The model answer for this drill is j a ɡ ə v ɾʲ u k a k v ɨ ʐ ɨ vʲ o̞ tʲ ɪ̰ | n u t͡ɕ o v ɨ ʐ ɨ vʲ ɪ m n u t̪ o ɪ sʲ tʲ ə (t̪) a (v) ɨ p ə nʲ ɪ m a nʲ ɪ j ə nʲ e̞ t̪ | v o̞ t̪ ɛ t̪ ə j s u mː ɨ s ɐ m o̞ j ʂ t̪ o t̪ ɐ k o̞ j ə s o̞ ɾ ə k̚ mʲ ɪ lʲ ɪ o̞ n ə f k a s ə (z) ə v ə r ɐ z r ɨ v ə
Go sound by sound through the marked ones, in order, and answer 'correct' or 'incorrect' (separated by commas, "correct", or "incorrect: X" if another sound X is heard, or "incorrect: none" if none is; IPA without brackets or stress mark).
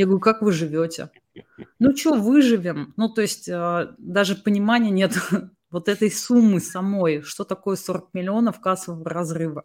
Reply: incorrect: d̪, incorrect: ʐ, incorrect: v